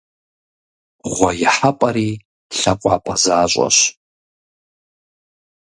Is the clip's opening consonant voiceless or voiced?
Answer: voiced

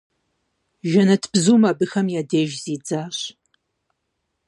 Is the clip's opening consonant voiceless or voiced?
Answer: voiced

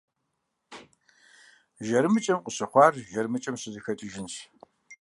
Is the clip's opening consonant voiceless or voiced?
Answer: voiced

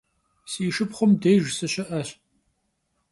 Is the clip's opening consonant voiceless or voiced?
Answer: voiceless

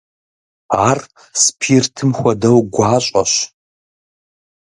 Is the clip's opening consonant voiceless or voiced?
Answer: voiced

